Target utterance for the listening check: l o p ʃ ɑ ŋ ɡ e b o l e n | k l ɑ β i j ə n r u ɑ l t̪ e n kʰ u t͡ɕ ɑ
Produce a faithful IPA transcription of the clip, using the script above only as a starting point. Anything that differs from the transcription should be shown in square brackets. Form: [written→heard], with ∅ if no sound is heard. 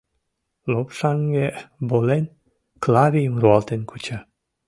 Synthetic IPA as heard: l o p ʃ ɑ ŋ ɡ e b o l e n | k l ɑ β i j ə [n→m] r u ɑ l t̪ e n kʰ u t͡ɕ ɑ